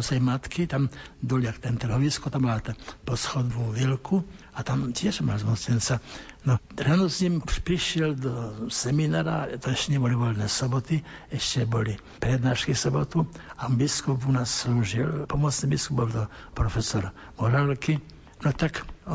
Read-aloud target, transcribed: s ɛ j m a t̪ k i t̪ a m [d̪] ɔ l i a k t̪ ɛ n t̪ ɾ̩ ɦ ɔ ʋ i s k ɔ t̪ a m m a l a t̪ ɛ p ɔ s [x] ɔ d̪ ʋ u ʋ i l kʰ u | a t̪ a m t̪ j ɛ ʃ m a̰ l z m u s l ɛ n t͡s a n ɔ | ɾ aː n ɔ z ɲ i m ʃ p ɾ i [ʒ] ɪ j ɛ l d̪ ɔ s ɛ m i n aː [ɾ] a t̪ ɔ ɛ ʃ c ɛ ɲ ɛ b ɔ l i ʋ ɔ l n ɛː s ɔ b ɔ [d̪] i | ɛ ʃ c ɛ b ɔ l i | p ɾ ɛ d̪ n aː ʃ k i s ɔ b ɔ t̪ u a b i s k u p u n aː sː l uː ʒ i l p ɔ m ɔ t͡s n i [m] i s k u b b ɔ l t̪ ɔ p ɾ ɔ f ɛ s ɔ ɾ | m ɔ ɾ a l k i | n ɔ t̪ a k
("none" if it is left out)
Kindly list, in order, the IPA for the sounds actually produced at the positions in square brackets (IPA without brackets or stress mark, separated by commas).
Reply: d̪, x, ʃ, ɾ, t̪, b